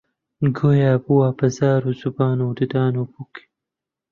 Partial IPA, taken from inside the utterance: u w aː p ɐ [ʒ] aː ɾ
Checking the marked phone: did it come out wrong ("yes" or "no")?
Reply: yes